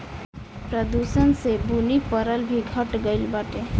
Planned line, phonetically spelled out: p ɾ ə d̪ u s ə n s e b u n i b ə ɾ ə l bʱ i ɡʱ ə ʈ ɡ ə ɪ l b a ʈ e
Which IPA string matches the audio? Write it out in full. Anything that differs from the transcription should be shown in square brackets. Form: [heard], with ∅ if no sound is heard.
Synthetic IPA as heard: p ɾ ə d̪ u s ə n s e b u n i [p] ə ɾ ə l bʱ i ɡʱ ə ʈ ɡ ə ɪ l b a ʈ e